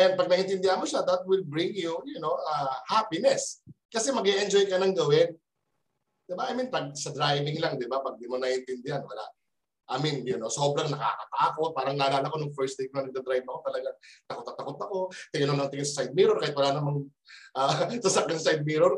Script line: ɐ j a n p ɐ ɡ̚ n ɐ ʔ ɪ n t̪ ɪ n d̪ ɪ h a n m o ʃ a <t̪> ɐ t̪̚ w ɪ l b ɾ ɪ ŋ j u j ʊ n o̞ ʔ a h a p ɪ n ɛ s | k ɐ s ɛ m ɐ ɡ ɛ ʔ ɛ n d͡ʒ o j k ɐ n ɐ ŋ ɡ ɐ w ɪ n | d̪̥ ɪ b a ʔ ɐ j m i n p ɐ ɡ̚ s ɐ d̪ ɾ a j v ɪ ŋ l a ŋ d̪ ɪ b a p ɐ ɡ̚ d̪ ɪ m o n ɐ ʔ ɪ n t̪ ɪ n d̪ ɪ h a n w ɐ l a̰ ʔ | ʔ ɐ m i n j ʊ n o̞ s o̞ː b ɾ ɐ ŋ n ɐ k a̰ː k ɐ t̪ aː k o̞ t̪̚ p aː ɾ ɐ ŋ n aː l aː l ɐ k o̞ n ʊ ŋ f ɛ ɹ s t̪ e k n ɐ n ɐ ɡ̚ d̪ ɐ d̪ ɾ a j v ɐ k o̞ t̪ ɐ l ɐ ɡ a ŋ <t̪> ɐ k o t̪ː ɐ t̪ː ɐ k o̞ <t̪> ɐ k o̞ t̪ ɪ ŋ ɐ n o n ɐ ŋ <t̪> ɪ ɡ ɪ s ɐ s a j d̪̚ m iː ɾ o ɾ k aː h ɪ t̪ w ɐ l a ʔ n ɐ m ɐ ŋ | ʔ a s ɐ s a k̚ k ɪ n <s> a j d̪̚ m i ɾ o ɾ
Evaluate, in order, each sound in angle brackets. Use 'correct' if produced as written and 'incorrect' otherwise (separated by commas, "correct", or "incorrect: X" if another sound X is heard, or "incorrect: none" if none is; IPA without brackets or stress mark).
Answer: incorrect: d̪, correct, correct, correct, correct